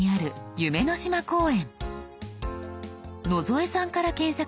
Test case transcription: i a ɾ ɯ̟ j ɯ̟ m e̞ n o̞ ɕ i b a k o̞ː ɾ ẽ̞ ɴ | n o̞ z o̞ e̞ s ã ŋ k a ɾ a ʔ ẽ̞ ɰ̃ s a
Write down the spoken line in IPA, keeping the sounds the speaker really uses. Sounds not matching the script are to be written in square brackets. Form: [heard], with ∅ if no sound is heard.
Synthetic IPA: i a ɾ ɯ̟ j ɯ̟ m e̞ n o̞ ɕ i [m] a k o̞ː [∅] ẽ̞ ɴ | n o̞ z o̞ e̞ s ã ŋ k a ɾ a [k] ẽ̞ ɰ̃ s a